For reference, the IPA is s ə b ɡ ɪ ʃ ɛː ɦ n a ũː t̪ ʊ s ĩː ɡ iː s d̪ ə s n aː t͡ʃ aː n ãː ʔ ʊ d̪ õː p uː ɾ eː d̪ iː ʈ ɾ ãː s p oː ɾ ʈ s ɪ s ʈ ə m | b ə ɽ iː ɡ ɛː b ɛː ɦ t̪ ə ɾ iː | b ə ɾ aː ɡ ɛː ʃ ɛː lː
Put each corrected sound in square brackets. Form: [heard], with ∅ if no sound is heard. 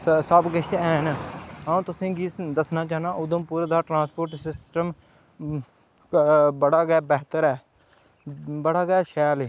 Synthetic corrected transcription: s ə b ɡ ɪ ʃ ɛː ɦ n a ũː t̪ ʊ s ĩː ɡ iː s d̪ ə s n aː t͡ʃ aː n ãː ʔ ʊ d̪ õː p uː ɾ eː d̪ [aː] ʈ ɾ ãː s p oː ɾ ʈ s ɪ s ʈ ə m | b ə ɽ [aː] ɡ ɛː b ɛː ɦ t̪ ə ɾ [ɛː] | b ə [ɽ] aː ɡ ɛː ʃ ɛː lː